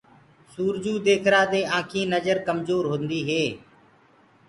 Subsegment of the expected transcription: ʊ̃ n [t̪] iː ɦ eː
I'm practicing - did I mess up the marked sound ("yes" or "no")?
yes